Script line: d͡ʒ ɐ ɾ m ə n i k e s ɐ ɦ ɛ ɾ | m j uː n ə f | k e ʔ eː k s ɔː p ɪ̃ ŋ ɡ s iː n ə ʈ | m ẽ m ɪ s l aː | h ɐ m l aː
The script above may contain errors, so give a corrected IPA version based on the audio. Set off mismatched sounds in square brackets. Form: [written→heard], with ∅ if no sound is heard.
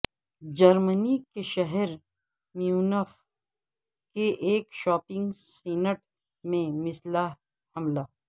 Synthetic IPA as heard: d͡ʒ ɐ ɾ m ə n i k e [s→ʃ] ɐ ɦ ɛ ɾ | m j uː n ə f | k e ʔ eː k [s→ʃ] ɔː p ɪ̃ ŋ ɡ s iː n ə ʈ | m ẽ m ɪ s l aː | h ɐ m l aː